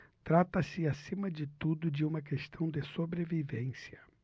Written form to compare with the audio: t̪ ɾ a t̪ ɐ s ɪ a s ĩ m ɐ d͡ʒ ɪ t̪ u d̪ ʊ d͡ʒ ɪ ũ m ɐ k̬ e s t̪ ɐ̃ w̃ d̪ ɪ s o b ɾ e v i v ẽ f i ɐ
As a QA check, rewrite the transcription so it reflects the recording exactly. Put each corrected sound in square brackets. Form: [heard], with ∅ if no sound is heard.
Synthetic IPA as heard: t̪ ɾ a t̪ ɐ s ɪ a s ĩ m ɐ d͡ʒ ɪ t̪ u d̪ ʊ d͡ʒ ɪ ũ m ɐ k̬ e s t̪ ɐ̃ w̃ d̪ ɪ s o b ɾ e v i v ẽ [s] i ɐ